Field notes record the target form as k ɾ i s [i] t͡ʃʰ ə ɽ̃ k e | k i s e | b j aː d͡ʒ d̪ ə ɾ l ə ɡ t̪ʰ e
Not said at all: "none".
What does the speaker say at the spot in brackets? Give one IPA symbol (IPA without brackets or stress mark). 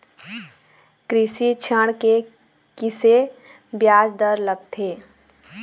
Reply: i